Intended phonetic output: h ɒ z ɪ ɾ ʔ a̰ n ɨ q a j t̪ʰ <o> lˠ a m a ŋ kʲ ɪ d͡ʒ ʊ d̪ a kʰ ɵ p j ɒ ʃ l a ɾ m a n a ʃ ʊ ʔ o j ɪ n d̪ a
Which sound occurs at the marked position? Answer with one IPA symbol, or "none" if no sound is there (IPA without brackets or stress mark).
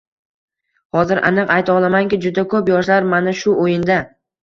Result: ɒ